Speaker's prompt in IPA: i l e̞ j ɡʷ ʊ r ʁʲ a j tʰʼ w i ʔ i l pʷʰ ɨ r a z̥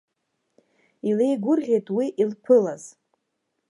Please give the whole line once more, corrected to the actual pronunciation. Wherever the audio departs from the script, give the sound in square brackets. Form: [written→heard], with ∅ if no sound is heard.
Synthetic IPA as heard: i l e̞ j ɡʷ ʊ r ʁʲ [a→e] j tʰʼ w i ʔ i l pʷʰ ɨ [r→l] a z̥

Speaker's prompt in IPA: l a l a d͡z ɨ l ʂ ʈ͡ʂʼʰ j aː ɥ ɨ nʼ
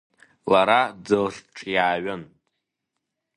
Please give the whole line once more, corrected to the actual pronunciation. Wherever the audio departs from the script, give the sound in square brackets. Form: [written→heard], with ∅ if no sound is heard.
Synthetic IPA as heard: l a [l→ɾ] a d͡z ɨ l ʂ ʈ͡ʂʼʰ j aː ɥ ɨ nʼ

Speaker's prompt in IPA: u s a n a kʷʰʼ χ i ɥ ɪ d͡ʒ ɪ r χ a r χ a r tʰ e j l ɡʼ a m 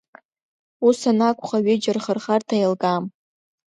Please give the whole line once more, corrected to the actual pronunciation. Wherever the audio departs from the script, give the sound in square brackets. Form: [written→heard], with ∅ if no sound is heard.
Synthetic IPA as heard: u s a n a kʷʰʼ χ [i→a] ɥ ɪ d͡ʒ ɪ r χ [a→ə] r χ a r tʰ [e→a] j l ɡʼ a m

